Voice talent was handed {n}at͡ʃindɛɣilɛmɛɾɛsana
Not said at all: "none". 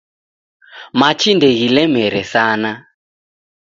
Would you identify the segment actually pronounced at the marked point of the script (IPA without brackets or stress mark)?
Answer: m